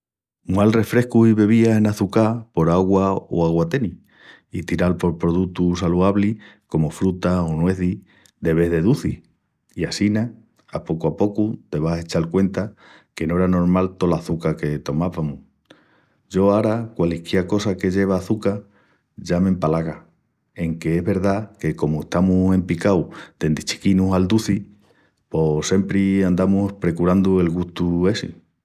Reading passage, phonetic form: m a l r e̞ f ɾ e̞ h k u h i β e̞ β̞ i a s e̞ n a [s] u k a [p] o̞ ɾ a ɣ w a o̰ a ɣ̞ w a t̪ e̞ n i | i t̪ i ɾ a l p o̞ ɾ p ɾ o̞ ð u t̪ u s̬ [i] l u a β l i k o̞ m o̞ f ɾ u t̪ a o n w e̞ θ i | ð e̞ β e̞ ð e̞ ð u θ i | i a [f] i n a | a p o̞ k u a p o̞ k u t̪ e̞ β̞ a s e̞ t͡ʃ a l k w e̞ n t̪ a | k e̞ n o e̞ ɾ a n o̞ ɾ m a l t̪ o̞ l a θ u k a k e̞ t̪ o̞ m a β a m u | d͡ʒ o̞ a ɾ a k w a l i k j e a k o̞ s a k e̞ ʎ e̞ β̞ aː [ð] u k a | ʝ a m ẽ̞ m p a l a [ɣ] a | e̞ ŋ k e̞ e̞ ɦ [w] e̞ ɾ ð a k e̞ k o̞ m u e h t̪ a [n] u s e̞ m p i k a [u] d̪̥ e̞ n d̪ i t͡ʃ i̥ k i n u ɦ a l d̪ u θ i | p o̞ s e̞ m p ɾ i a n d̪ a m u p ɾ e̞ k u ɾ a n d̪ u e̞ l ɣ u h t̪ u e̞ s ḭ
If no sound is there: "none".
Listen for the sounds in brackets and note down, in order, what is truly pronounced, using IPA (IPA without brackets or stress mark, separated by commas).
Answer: θ, p, a, s, θ, ɣ, β, m, w